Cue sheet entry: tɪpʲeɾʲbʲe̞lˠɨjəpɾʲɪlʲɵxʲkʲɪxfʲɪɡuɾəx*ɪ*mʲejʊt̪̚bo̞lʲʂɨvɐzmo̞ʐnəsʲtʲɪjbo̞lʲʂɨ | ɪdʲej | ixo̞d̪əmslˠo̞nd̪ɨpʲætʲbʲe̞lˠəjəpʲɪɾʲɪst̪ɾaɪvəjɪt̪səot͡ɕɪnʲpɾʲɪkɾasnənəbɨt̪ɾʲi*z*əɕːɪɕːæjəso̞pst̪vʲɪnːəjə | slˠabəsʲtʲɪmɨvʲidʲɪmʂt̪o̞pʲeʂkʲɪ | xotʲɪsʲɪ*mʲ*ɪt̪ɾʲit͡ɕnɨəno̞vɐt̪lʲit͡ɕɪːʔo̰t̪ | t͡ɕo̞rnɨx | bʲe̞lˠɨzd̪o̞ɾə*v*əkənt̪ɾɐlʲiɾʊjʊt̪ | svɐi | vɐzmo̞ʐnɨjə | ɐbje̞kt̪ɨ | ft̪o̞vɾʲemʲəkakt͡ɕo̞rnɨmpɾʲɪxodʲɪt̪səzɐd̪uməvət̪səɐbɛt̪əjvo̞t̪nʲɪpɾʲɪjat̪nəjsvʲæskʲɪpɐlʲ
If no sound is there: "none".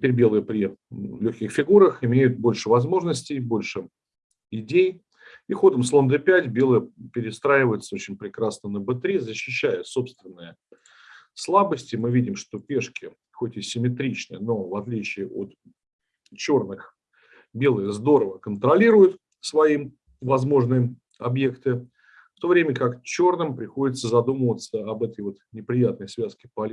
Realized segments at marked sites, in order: ɪ, z, mʲ, v

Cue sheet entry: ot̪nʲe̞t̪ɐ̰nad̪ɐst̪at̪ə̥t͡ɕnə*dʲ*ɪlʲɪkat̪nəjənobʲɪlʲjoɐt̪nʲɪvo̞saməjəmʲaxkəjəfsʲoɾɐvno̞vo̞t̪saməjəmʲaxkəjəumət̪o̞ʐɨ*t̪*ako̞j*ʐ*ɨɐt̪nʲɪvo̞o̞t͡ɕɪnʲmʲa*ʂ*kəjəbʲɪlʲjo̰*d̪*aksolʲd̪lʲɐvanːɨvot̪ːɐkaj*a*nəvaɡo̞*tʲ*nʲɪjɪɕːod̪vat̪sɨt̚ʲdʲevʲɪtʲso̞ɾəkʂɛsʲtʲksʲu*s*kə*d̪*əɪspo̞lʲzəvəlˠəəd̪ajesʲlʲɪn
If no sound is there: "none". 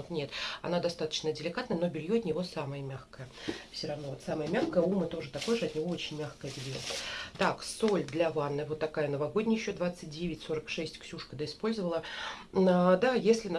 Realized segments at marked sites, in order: dʲ, t̪, ʐ, x, t̪, ə, dʲ, ʂ, d̪

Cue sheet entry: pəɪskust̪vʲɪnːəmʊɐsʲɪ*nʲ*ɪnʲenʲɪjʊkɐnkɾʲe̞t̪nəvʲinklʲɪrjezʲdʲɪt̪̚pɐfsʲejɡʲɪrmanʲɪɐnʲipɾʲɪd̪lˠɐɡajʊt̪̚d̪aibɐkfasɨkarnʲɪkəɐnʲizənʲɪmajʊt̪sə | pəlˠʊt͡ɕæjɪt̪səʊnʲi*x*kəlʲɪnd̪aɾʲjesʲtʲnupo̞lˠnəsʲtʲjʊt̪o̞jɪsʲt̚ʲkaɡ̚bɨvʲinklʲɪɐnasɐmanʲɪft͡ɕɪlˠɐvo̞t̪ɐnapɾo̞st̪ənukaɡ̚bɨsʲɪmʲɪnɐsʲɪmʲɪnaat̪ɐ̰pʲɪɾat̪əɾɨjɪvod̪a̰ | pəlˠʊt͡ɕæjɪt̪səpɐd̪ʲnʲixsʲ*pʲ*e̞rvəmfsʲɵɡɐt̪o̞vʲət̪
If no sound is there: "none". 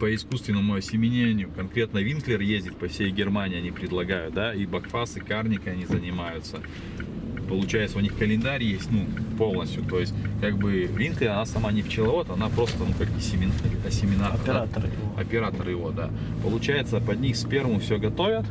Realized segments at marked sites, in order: mʲ, x, pʲ

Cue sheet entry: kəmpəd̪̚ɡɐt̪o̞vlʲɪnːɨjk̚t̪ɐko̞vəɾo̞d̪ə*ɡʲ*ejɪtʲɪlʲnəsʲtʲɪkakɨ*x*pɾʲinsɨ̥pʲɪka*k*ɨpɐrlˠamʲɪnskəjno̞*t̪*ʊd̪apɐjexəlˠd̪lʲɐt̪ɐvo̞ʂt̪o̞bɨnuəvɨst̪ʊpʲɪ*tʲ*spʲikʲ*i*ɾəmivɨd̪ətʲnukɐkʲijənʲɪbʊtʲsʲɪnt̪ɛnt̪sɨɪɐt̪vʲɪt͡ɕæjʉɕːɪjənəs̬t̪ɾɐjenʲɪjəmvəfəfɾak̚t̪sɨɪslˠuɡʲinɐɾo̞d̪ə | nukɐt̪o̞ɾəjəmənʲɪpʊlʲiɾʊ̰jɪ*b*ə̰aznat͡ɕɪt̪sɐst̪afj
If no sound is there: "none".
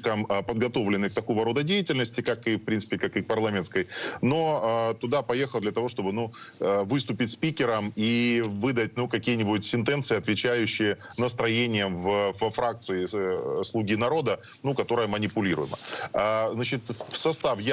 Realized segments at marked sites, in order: dʲ, f, k, t̪, tʲ, ɪ, m

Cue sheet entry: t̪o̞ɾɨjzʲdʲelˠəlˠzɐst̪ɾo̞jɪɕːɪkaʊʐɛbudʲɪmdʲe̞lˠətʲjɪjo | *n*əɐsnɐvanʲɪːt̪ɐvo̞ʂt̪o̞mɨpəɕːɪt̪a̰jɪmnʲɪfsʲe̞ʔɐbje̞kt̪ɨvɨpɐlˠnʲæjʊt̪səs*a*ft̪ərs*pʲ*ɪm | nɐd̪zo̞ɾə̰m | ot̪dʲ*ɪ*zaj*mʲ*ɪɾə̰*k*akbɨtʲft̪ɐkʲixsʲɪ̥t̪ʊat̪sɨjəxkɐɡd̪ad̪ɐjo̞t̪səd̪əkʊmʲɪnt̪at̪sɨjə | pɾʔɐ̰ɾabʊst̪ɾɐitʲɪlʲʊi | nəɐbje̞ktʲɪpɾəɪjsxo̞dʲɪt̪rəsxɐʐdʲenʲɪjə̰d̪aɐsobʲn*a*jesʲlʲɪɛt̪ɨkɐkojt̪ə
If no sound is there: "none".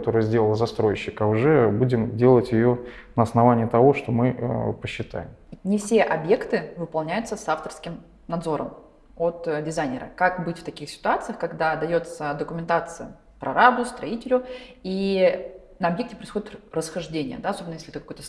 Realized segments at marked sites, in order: n, a, kʲ, ɪ, nʲ, k, ə

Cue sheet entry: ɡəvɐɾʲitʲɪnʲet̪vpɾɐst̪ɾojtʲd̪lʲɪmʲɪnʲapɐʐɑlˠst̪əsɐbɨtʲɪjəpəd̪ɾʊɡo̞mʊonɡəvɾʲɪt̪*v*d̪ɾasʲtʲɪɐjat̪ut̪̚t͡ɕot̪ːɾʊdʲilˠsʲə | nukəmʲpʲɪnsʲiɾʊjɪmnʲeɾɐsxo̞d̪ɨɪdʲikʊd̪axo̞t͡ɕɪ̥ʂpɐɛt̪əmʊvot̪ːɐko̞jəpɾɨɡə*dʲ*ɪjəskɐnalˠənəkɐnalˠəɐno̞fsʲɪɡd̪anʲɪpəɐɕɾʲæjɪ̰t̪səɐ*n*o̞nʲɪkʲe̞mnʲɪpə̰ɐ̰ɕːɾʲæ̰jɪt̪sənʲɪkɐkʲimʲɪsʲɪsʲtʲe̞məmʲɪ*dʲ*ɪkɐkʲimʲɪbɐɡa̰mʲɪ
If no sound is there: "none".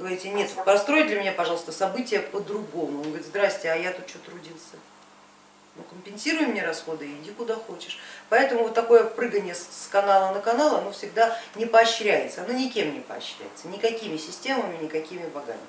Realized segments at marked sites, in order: z, nʲ, n, nʲ

